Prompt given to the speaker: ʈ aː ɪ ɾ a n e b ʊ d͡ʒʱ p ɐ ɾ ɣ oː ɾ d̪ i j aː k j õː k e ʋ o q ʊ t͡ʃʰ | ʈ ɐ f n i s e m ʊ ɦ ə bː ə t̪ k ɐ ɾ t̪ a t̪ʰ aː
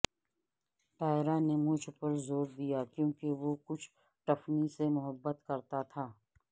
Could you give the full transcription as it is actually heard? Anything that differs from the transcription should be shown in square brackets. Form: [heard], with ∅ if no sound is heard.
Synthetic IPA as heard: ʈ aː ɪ ɾ a n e [m] ʊ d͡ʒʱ p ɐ ɾ [z] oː ɾ d̪ i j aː k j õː k e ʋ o [k] ʊ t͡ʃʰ | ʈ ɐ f n i s e m ʊ ɦ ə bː ə t̪ k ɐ ɾ t̪ a t̪ʰ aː

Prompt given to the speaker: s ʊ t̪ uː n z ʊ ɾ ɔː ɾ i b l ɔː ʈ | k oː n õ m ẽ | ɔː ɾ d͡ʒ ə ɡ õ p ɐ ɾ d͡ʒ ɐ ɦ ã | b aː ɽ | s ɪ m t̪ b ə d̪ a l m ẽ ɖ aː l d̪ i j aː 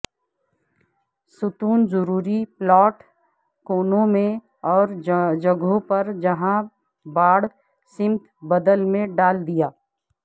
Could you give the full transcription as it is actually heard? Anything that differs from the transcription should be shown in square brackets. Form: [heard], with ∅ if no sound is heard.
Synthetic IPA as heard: s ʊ t̪ uː n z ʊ ɾ [uː] ɾ i [p] l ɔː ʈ | k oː n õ m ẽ | ɔː ɾ d͡ʒ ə ɡ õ p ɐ ɾ d͡ʒ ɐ ɦ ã | b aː ɽ | s ɪ m t̪ b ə d̪ [ə] l m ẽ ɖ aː l d̪ i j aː

